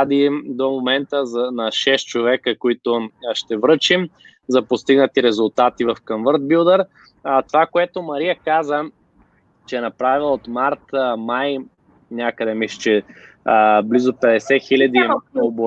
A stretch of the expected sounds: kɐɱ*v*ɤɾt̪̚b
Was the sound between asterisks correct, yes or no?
yes